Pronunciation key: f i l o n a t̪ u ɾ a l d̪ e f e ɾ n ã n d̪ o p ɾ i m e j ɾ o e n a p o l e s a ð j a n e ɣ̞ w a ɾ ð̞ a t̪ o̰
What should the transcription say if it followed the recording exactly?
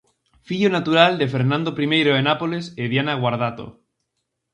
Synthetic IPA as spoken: f i ʎ o n a t̪ u ɾ a l d̪ e f e ɾ n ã n d̪ o p ɾ i m e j ɾ o e n a p o l e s e ð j a n a ɣ̞ w a ɾ ð̞ a t̪ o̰